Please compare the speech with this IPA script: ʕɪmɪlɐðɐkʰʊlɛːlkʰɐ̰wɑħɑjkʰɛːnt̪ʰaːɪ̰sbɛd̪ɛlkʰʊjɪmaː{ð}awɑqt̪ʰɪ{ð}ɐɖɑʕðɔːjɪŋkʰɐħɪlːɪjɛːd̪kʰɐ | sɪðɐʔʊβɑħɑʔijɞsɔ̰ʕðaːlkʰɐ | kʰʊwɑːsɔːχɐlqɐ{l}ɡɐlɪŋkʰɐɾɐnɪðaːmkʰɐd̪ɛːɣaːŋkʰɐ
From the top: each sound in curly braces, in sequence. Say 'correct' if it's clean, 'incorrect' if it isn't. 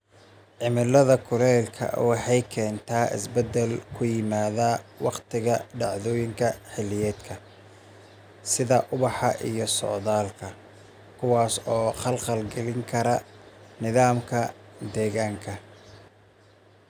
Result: correct, incorrect: ɣ, correct

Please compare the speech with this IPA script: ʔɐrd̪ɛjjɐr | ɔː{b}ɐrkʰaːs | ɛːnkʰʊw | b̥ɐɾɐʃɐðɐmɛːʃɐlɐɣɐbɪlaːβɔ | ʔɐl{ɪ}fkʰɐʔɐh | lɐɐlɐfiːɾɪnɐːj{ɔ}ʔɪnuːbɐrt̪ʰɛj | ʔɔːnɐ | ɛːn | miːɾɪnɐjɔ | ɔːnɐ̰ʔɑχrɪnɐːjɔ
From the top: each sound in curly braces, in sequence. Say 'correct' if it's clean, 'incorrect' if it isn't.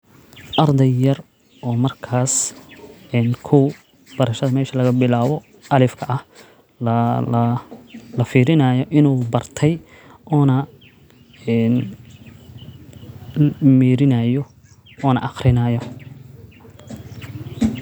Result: incorrect: m, correct, correct

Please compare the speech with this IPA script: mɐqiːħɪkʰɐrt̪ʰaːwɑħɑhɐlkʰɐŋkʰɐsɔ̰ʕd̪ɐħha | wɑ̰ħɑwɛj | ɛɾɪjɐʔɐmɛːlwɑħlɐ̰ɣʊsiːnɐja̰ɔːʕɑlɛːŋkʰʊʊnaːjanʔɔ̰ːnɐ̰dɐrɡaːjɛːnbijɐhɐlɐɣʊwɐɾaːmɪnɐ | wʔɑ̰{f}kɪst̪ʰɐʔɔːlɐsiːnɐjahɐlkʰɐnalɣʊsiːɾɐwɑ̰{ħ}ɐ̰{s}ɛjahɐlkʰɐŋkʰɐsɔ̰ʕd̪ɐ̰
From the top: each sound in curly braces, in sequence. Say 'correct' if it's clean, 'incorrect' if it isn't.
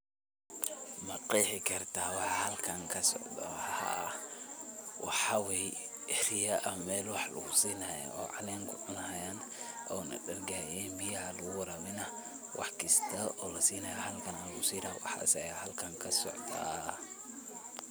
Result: incorrect: ħ, correct, correct

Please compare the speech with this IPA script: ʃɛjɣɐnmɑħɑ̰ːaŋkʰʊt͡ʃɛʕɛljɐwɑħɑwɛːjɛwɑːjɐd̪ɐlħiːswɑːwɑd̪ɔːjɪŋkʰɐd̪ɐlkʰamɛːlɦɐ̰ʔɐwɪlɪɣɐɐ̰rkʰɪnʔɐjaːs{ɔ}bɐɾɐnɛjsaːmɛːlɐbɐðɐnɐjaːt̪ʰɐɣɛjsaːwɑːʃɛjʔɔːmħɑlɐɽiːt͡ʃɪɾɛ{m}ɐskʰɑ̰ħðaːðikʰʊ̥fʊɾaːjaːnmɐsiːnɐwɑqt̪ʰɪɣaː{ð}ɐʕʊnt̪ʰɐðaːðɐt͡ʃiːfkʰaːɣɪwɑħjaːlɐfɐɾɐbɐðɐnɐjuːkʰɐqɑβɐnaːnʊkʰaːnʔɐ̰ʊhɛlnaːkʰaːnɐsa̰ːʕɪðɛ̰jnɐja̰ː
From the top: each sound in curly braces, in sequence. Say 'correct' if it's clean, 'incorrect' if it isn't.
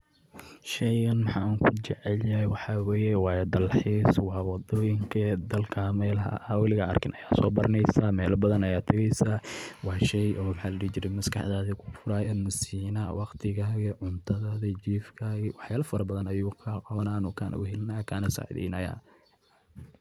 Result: incorrect: ɔː, correct, incorrect: ɣ

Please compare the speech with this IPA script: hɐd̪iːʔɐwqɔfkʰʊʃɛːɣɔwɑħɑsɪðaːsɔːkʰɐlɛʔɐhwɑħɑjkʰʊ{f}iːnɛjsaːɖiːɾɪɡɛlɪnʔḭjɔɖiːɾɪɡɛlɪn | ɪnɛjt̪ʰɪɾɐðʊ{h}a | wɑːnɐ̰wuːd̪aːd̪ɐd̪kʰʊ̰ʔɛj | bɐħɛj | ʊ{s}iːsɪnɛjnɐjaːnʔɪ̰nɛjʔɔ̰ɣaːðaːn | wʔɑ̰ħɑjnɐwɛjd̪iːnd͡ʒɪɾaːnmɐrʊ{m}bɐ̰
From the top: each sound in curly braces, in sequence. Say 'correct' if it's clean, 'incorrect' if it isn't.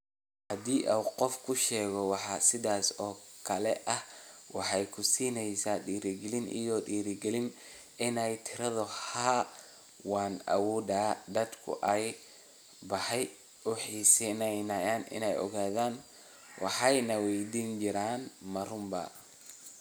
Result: incorrect: s, correct, incorrect: ħ, correct

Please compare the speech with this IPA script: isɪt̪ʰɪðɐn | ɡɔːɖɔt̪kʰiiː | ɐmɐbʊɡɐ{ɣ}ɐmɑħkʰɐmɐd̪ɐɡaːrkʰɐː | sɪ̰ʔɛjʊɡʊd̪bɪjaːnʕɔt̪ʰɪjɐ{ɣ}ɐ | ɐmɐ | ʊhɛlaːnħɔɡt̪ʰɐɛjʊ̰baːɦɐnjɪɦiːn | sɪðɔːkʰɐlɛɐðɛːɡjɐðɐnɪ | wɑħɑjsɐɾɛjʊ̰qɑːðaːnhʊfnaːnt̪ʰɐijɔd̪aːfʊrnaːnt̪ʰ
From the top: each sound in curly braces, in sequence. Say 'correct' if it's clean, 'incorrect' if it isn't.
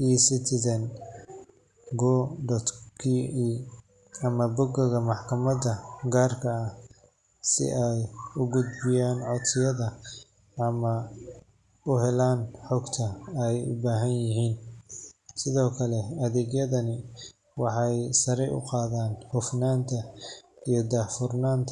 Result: correct, incorrect: ð

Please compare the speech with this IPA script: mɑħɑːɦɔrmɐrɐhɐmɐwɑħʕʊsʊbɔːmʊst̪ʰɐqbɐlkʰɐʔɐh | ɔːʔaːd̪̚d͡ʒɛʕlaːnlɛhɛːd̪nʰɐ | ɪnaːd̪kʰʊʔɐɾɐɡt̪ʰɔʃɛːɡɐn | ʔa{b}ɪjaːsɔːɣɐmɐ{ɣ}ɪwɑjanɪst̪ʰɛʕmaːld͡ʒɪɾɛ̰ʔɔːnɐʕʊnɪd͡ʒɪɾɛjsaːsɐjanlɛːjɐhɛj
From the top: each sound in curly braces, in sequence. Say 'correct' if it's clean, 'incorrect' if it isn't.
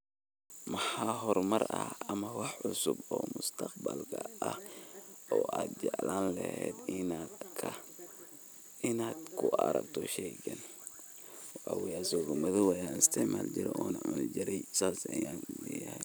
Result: incorrect: w, incorrect: ð

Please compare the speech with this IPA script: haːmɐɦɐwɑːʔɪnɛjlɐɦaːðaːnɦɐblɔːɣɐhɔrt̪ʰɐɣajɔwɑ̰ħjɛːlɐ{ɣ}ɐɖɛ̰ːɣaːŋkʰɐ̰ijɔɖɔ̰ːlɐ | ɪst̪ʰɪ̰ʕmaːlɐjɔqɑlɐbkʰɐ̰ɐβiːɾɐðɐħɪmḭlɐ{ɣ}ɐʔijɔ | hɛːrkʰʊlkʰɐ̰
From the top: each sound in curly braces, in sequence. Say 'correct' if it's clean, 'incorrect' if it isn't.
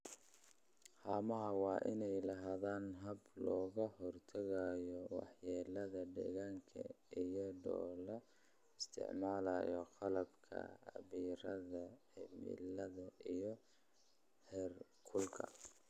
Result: incorrect: ð, incorrect: ð

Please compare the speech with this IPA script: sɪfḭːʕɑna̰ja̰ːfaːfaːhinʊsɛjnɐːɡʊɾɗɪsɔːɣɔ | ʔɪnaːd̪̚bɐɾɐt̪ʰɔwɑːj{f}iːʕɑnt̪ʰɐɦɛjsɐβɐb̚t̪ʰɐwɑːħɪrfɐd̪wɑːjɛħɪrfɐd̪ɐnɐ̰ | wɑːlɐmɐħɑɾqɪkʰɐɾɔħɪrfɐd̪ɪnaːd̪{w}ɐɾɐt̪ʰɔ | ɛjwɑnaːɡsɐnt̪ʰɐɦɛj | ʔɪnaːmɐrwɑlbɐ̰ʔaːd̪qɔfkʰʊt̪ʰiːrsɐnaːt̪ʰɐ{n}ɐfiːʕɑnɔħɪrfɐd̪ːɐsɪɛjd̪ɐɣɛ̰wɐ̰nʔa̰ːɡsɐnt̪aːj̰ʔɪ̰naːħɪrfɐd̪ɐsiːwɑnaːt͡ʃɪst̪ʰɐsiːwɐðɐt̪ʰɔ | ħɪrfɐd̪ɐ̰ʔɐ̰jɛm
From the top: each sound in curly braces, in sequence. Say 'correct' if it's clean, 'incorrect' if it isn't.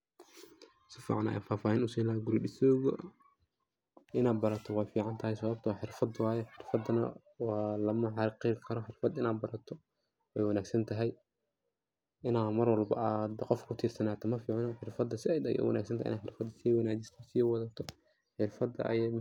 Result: correct, incorrect: b, incorrect: m

